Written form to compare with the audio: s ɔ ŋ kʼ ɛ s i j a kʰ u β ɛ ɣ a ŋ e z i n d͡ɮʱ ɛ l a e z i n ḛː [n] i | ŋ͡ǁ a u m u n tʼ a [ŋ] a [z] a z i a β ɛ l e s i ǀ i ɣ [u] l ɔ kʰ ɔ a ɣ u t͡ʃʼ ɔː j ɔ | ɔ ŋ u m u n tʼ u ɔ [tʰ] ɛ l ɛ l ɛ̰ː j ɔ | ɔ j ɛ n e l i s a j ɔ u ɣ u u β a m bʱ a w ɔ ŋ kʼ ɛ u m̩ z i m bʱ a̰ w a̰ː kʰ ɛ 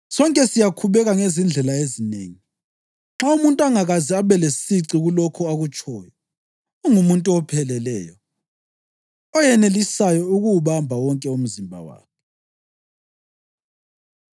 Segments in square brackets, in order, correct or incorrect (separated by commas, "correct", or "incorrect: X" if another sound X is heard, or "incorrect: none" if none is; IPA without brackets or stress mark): incorrect: ŋ, correct, incorrect: ɣ, correct, incorrect: pʰ